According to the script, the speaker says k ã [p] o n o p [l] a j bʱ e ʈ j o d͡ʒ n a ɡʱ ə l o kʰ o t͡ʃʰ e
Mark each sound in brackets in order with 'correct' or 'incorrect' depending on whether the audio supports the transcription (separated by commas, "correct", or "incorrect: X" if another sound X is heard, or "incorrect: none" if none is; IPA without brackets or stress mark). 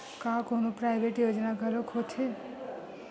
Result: incorrect: k, incorrect: ɾ